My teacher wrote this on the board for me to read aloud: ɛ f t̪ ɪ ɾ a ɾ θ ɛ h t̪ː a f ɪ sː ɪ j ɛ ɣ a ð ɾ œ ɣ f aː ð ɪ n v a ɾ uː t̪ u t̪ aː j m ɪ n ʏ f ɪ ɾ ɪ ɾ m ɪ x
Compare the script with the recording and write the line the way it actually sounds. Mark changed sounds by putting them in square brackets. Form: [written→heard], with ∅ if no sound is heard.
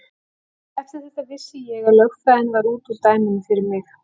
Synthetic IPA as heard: ɛ f t̪ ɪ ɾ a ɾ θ ɛ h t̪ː a [f→v] ɪ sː ɪ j ɛ ɣ a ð [ɾ→l] œ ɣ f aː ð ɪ n v a ɾ uː t̪ u t̪ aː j m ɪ n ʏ f ɪ ɾ ɪ ɾ m ɪ x

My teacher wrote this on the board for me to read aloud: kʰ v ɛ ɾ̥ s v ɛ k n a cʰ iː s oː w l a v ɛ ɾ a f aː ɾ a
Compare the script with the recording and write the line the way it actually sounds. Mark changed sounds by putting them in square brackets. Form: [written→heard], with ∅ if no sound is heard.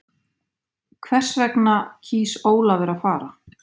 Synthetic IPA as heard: kʰ v ɛ [ɾ̥→r̥] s v ɛ k n a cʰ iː s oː w l a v ɛ ɾ a f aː ɾ a

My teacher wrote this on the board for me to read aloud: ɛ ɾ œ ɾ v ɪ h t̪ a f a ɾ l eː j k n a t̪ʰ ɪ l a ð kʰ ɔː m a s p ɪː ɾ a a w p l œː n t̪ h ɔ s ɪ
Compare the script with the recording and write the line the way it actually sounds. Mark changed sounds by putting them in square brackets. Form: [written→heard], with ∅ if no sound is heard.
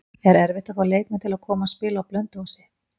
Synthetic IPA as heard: ɛ ɾ [œ→ɛ] ɾ v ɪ h t̪ a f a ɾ l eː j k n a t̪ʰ ɪ l a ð kʰ ɔː m a s p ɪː [ɾ→l] a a w p l [œː→œ] n t̪ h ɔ s ɪ

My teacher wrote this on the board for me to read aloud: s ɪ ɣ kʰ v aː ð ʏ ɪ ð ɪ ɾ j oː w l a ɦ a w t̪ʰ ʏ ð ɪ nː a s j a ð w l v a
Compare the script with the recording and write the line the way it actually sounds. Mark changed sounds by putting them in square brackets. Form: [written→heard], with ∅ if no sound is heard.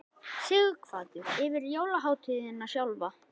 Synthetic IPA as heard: s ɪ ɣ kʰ v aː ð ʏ ɪ [ð→v] ɪ ɾ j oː w l a ɦ a w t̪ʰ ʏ ð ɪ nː a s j a [ð→∅] w l v a

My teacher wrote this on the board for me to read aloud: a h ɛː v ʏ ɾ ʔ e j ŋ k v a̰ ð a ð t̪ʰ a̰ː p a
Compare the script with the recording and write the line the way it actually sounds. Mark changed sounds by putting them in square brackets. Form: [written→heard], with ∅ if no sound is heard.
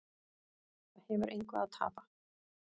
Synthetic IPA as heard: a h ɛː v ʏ ɾ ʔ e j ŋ k v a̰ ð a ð t̪ʰ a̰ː p a

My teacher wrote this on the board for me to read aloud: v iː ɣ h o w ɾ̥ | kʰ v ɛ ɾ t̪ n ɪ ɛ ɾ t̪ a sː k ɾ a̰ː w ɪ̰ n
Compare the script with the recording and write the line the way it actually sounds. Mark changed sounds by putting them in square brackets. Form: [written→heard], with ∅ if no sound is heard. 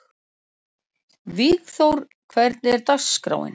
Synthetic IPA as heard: v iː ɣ [h→θ] o w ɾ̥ | kʰ v ɛ ɾ t̪ n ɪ ɛ ɾ t̪ a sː k ɾ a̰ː w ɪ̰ n

